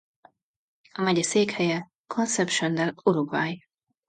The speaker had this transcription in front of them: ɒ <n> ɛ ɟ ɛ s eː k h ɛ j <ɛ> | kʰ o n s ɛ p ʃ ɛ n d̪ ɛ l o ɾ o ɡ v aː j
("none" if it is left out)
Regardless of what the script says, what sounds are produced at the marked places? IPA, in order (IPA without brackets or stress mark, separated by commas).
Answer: m, ɛ